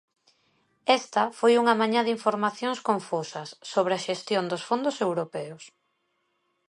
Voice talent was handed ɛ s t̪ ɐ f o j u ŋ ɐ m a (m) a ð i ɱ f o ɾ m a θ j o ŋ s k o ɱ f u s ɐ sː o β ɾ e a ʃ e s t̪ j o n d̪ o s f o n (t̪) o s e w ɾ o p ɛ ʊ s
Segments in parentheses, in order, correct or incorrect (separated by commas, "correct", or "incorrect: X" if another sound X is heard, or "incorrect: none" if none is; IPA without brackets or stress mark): incorrect: ɲ, incorrect: d̪